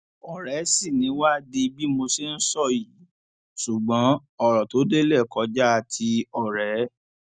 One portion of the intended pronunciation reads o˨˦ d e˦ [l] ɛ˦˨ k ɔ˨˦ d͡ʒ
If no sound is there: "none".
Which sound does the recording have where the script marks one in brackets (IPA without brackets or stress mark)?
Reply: l